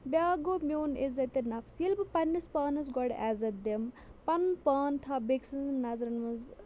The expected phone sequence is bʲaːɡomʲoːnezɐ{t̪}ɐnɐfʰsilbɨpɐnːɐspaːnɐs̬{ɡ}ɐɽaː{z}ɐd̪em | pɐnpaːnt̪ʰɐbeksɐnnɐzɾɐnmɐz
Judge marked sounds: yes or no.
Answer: yes, yes, yes

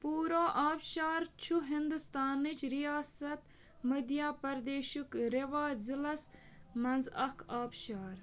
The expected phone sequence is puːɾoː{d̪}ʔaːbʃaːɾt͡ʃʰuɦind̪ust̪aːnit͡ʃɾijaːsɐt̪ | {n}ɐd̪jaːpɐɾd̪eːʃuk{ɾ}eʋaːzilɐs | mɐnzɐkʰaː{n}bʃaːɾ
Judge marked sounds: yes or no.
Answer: no, no, yes, no

